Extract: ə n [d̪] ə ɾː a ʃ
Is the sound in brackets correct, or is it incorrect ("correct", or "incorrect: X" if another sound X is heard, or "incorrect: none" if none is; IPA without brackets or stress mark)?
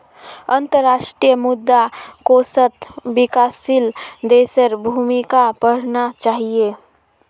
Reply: incorrect: t̪